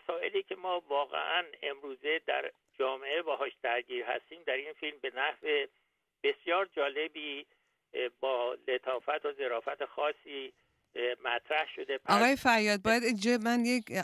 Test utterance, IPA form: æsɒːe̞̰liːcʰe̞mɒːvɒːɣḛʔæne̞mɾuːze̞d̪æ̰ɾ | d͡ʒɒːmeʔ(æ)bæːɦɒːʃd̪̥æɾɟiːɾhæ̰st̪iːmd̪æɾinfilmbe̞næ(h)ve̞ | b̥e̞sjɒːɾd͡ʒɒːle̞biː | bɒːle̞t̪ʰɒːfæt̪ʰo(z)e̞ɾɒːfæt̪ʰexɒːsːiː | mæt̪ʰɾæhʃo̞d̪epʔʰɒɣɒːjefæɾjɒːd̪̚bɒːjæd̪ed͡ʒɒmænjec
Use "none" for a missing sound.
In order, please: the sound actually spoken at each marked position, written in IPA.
e, h, z

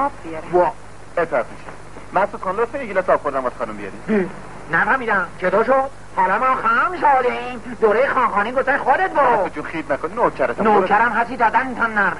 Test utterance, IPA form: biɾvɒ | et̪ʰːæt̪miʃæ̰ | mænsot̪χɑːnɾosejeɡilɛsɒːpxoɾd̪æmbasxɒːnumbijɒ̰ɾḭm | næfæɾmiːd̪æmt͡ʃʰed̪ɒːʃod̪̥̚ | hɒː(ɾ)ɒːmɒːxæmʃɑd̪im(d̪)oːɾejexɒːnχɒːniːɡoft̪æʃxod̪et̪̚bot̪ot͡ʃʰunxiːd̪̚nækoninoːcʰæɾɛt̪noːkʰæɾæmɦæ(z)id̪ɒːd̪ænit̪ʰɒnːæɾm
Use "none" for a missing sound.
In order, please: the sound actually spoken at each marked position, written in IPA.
l, d̪, s

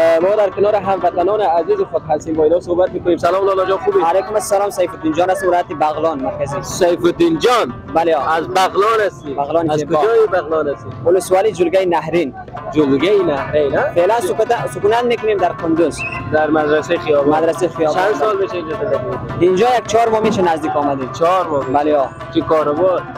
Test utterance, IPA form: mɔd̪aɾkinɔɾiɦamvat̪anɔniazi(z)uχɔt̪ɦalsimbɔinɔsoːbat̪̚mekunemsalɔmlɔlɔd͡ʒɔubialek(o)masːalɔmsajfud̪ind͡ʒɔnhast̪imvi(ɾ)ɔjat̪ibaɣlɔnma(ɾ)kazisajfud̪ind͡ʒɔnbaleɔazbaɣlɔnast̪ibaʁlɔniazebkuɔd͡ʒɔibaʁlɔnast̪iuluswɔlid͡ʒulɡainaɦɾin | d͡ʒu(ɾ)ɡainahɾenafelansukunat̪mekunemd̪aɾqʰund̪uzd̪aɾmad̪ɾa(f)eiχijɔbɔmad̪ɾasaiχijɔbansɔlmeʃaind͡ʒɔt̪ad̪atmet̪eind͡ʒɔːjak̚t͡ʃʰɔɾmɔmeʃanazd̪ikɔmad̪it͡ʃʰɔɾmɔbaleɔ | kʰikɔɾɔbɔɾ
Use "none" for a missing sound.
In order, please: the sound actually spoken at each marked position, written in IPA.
z, u, l, ɾ, l, s

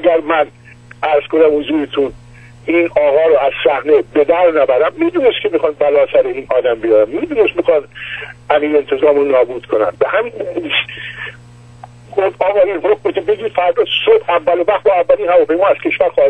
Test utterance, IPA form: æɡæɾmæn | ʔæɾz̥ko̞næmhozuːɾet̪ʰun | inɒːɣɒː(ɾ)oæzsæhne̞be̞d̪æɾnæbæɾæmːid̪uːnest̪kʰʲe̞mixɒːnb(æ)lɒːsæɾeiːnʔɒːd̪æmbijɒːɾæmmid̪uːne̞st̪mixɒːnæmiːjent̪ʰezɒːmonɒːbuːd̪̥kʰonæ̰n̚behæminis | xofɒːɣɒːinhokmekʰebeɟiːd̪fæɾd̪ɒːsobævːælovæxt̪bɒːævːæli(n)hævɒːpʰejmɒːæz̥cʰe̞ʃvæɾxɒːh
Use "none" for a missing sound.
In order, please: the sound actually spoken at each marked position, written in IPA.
ɾ, æ, n

